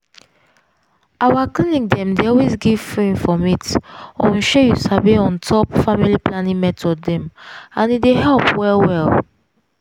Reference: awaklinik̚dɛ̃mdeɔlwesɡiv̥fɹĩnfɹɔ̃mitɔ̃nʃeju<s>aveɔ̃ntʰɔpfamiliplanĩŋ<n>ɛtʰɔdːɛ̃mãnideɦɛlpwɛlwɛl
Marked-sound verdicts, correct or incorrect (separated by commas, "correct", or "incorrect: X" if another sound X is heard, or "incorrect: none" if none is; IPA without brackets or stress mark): correct, incorrect: m